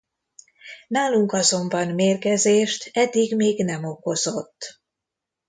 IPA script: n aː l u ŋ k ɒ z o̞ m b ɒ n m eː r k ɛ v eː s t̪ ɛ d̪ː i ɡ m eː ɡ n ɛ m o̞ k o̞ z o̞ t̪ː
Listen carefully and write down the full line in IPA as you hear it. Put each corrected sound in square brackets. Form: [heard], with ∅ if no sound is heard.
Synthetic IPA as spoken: n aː l u ŋ k ɒ z o̞ m b ɒ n m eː r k ɛ [z] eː [ʃ] t̪ ɛ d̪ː i ɡ m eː ɡ n ɛ m o̞ k o̞ z o̞ t̪ː